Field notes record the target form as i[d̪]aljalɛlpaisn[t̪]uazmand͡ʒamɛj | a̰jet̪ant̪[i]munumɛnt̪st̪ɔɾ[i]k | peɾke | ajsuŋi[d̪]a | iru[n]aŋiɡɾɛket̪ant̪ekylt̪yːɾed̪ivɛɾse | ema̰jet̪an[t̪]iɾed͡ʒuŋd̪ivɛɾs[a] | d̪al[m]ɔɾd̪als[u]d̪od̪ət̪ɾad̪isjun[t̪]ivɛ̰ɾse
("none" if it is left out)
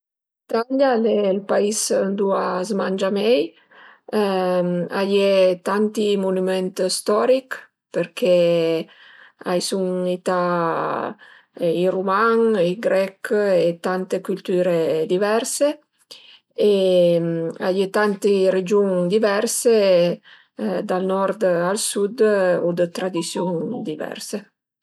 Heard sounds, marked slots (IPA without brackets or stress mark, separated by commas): t̪, d̪, i, i, t̪, m, t̪, e, n, u, d̪